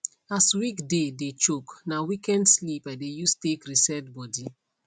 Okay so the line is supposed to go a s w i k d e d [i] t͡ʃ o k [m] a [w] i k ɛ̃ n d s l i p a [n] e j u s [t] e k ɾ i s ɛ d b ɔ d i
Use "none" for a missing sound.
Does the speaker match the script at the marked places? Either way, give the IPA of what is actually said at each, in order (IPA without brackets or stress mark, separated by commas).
e, n, w, d, t